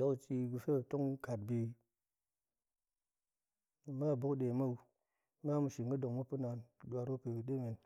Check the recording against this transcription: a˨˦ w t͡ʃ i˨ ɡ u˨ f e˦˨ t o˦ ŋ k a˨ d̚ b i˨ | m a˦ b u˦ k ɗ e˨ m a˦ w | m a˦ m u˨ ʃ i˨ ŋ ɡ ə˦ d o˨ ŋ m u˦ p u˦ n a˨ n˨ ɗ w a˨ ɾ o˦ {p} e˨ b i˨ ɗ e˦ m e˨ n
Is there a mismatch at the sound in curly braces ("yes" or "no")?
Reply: no